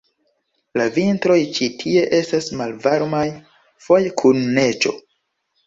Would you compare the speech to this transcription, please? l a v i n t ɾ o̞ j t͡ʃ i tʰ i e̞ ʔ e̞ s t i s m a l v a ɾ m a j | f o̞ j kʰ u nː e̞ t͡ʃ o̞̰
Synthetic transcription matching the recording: l a v i n t ɾ o̞ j t͡ʃ i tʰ i e̞ ʔ e̞ s t a s m a l v a ɾ m a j | f o̞ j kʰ u nː e̞ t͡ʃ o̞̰